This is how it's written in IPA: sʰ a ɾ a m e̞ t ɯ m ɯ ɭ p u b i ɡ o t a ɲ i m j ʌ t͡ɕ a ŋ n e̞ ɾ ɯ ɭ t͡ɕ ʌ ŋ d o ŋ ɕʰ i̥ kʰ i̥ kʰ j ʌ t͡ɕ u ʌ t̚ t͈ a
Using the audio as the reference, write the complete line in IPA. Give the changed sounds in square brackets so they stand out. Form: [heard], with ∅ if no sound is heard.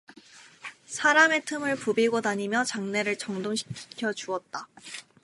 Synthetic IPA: sʰ a ɾ a m e̞ [tʰ] ɯ m ɯ ɭ p u b i ɡ o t a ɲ i m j ʌ t͡ɕ a ŋ n e̞ ɾ ɯ ɭ t͡ɕ ʌ ŋ d o ŋ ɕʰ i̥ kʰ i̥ kʰ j ʌ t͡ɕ u ʌ t̚ t͈ a